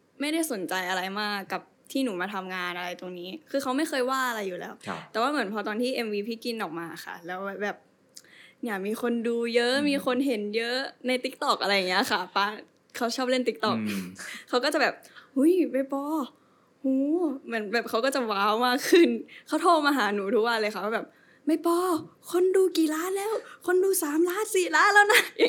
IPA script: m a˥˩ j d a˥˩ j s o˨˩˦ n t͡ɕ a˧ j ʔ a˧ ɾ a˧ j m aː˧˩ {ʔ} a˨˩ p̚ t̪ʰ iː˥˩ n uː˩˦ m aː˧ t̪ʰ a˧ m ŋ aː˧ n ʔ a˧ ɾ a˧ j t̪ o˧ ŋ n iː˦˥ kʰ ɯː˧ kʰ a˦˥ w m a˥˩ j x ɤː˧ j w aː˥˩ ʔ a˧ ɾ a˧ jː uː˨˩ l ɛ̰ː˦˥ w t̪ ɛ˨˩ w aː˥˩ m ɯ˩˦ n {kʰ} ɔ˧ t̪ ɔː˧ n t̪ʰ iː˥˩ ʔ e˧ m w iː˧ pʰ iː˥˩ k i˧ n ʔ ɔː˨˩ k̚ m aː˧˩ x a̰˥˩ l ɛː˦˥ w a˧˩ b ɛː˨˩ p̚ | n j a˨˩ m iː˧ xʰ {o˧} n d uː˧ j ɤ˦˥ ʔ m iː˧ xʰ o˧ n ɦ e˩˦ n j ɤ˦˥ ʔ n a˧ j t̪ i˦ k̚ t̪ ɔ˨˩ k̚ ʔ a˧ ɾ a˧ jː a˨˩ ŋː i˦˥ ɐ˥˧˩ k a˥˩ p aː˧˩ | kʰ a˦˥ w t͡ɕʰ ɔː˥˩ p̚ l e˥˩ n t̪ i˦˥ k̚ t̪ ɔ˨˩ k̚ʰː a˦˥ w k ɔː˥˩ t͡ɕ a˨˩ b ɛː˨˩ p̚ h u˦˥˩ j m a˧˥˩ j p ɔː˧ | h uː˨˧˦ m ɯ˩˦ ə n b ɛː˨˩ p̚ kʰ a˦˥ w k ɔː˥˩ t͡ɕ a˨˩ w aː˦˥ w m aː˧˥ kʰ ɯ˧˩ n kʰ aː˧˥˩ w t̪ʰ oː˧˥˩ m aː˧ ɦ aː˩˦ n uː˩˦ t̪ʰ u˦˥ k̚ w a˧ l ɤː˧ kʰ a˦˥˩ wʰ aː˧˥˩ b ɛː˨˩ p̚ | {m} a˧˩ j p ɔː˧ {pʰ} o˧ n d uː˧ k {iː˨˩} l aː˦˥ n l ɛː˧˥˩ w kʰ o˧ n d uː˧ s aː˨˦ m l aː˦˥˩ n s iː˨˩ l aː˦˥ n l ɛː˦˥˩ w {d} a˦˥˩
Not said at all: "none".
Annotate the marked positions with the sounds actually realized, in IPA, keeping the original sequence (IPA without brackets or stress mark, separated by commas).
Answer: k, pʰ, o˧, m, kʰ, iː˨˩, n